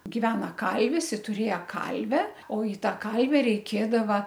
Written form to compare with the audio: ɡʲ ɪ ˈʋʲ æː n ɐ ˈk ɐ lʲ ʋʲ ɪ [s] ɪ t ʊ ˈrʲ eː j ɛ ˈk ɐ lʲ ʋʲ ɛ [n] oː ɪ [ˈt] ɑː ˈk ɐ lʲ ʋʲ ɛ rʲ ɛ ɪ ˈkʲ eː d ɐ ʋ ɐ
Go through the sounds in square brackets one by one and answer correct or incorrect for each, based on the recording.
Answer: correct, incorrect, correct

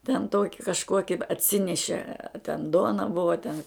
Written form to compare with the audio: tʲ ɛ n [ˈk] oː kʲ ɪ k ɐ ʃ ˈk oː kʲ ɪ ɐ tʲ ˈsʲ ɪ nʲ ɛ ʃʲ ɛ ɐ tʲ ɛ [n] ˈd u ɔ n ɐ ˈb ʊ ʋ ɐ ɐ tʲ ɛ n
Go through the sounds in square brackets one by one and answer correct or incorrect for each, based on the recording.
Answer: incorrect, correct

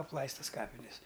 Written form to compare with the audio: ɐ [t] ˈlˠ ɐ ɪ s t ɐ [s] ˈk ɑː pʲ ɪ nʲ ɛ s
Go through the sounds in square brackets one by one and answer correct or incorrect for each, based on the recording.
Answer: incorrect, correct

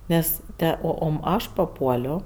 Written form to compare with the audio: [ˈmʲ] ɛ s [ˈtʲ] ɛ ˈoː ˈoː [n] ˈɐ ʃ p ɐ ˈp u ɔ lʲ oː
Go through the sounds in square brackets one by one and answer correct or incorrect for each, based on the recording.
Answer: incorrect, correct, incorrect

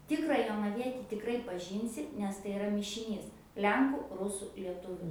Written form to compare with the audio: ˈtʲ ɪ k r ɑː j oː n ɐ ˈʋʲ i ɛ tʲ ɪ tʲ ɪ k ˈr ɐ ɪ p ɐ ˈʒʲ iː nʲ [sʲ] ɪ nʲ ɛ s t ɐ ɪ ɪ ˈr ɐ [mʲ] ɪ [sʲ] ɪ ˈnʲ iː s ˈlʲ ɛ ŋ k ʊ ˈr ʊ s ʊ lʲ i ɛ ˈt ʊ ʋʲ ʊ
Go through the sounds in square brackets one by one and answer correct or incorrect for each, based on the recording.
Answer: correct, correct, incorrect

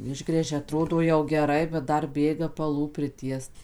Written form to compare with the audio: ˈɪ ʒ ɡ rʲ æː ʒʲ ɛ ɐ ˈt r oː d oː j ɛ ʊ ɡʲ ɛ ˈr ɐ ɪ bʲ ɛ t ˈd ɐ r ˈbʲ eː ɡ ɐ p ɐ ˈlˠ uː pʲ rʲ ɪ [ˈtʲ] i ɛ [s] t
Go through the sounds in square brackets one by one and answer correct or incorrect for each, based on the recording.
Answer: correct, correct

